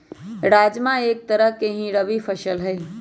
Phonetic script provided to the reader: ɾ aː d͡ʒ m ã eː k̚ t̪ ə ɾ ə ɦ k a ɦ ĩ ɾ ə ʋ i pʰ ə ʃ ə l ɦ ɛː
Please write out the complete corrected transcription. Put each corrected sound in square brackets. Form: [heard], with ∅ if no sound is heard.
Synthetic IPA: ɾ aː d͡ʒ m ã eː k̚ t̪ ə ɾ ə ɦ k [e] ɦ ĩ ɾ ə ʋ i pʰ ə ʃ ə l ɦ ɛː